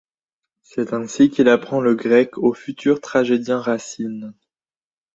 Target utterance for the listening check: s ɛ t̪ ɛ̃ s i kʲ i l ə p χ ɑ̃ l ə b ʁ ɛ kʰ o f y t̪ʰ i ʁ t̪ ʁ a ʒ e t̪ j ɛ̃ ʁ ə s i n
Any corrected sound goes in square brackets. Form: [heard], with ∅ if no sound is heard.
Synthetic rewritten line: s ɛ t̪ ɛ̃ s i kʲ i l [a] p χ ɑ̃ l ə [ɡ] ʁ ɛ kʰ o f y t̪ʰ [y] ʁ t̪ [χ] a ʒ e [d̪] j ɛ̃ ʁ [a] s i n